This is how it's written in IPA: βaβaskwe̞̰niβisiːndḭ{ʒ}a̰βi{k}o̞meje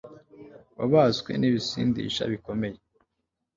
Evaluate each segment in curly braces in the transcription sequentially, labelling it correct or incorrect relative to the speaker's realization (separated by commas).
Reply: incorrect, correct